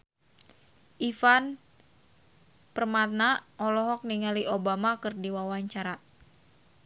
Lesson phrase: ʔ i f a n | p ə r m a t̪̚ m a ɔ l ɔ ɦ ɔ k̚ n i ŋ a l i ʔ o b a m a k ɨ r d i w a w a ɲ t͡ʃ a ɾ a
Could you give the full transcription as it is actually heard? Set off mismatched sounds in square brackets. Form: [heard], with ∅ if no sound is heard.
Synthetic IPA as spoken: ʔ i f a n | p ə r m a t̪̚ [n] a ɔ l ɔ ɦ ɔ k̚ n i ŋ a l i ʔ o b a m a k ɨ r d i w a w a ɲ t͡ʃ a ɾ a